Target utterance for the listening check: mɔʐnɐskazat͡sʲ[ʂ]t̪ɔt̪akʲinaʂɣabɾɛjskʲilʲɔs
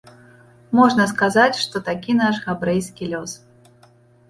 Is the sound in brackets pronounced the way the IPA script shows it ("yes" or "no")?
yes